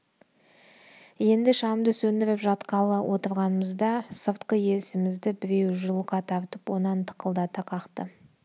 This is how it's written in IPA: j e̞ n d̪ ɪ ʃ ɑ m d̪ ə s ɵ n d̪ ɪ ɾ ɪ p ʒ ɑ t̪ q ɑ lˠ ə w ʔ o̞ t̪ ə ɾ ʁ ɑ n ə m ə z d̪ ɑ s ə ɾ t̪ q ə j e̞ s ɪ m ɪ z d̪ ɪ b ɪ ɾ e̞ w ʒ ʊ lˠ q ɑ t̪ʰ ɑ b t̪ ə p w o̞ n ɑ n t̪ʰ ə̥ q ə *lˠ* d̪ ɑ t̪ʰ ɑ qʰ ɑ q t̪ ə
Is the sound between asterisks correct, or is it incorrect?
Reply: correct